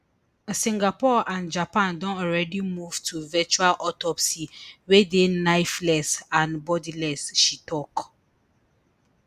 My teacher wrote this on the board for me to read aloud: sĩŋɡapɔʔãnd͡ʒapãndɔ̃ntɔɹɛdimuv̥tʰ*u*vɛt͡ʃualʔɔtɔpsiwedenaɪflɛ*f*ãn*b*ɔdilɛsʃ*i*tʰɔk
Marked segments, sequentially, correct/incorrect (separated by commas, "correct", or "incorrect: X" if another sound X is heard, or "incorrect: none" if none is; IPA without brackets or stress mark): correct, incorrect: s, correct, correct